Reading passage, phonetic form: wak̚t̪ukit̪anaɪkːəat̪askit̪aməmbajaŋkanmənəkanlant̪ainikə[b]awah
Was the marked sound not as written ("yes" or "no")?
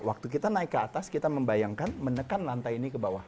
no